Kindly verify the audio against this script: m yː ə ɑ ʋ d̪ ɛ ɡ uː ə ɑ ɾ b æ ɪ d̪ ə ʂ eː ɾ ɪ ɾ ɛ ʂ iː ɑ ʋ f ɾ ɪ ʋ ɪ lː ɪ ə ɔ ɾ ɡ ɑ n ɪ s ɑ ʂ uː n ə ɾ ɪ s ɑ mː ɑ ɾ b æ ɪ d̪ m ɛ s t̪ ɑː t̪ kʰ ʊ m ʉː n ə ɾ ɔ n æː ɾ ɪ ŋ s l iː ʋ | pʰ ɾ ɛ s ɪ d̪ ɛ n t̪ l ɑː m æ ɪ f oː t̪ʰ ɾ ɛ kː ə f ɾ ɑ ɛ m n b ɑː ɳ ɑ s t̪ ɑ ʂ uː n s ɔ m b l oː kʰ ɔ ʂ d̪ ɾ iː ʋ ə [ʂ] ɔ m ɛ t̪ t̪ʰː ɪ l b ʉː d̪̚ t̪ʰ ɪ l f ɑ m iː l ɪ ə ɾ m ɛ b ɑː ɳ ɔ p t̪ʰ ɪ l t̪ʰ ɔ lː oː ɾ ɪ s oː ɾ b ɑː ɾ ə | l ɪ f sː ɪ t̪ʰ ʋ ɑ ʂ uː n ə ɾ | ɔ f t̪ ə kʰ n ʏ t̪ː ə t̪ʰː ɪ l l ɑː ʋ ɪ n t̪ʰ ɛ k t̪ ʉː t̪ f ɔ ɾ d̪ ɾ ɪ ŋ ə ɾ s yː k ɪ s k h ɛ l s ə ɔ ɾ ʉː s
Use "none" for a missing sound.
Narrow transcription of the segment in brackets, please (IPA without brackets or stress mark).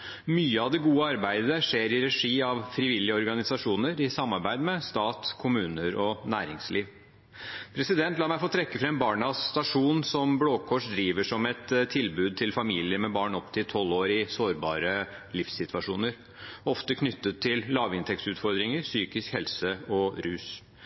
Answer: ʂ